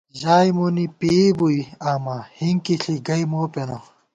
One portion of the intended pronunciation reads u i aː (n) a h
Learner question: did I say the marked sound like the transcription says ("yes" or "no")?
no